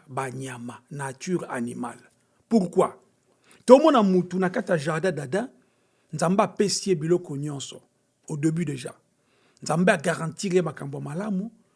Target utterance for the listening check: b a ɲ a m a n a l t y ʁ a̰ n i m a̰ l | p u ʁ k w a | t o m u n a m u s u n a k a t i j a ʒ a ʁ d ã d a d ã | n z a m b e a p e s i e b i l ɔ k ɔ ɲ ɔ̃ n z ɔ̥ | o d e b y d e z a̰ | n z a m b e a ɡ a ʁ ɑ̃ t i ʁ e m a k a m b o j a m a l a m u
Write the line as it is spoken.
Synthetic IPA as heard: b a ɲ a m a n a t y ʁ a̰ n i m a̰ l | p u ʁ k w a | t o m ɔ n a m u t u n a k a t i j a ʒ a ʁ d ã d a d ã | n z a m b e a p e s i e b i l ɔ k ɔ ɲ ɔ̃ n s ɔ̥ | o d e b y d e ʒ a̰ | n z a m b e a ɡ a ʁ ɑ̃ t i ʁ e m a k a m b o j a m a l a m u

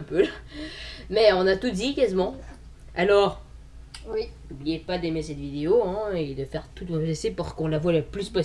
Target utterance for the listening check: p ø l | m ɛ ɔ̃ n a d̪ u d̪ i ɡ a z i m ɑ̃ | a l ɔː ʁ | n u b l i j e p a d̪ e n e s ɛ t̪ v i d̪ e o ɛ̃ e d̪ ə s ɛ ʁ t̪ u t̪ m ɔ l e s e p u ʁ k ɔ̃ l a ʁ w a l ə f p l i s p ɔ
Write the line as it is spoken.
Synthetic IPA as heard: p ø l | m ɛ ɔ̃ n a t̪ u d̪ i k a z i m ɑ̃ | a l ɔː ʁ | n u b l i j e p a d̪ e m e s ɛ t̪ v i d̪ e o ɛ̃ e d̪ ə f ɛ ʁ t̪ u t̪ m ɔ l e s e p u ʁ k ɔ̃ l a v w a l ə p l y s p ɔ

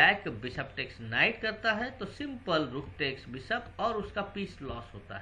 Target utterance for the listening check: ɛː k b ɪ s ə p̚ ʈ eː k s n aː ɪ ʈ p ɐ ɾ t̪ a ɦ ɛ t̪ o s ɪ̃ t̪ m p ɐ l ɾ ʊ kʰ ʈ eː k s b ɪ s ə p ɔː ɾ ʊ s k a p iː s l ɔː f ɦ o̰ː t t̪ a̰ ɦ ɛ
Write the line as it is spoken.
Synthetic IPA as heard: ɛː k b ɪ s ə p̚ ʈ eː k s n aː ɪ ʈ k ɐ ɾ t̪ a ɦ ɛ t̪ o s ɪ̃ m p ə l ɾ ʊ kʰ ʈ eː k s b ɪ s ə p ɔː ɾ ʊ s k a p iː s l ɔː s ɦ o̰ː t t̪ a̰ ɦ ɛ

